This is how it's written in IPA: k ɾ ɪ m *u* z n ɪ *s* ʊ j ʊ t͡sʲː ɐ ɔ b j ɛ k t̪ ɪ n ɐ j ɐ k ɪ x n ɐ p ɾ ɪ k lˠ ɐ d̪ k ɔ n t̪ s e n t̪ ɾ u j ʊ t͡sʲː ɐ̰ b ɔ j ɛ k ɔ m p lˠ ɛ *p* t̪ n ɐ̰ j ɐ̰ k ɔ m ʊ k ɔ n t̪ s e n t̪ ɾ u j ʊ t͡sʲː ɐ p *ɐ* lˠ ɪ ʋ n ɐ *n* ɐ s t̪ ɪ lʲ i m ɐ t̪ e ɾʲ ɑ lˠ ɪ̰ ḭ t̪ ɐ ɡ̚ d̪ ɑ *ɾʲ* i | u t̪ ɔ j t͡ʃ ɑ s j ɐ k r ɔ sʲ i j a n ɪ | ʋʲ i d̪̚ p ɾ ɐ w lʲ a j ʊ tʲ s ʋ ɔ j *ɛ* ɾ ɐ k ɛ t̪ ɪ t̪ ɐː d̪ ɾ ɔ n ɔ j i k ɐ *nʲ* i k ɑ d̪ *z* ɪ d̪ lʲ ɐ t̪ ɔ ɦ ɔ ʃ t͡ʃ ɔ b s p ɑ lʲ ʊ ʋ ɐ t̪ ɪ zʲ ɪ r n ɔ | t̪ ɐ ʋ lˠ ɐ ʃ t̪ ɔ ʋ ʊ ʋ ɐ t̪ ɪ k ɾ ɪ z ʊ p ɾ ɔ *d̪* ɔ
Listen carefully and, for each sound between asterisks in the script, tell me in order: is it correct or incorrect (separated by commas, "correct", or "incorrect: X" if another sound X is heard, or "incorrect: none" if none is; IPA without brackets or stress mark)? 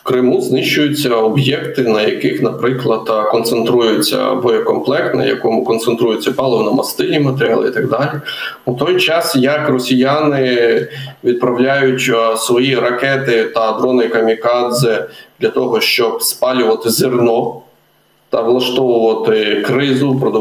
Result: correct, incorrect: ʃ, incorrect: k, incorrect: ɑ, incorrect: m, incorrect: lʲ, incorrect: i, incorrect: mʲ, correct, correct